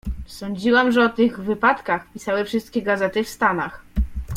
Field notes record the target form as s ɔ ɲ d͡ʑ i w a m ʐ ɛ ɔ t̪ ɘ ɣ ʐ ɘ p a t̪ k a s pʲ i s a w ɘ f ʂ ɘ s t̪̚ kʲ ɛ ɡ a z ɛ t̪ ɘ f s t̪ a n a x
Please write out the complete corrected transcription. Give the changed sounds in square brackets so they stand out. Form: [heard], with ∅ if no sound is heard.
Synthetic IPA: s ɔ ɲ d͡ʑ i w a m ʐ ɛ ɔ t̪ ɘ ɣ [v] ɘ p a t̪ k a [x] pʲ i s a w ɘ f ʂ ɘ s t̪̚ kʲ ɛ ɡ a z ɛ t̪ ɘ f s t̪ a n a x